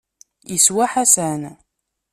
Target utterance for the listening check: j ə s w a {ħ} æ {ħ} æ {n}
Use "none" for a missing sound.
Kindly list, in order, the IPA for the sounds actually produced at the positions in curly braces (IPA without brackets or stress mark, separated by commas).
ħ, s, n